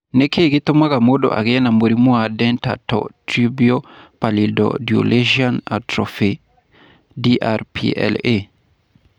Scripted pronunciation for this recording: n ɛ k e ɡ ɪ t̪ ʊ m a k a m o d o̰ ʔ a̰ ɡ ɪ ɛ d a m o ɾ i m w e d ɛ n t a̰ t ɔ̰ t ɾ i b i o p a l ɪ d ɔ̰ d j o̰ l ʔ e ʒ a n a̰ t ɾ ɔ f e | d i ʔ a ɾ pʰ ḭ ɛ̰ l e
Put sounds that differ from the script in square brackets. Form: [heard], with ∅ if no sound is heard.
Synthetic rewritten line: n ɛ k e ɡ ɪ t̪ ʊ m a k a m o d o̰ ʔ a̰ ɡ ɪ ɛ [n] a m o ɾ i m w [a] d ɛ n t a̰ t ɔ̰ t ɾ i b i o p a l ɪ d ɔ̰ d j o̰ l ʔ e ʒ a n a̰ t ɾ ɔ f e | d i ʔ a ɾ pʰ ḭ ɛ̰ l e